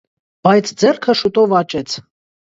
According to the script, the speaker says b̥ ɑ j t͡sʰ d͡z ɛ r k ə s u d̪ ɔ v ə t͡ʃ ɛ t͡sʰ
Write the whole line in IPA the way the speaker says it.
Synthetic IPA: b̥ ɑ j t͡sʰ d͡z ɛ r kʰ ə ʃ u t̪ ɔ v ɑ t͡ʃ ɛ t͡sʰ